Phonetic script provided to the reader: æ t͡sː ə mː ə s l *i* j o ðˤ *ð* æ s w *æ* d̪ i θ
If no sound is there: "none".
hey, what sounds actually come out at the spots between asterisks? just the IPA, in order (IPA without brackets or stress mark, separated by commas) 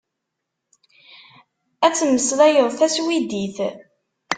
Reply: æ, θ, i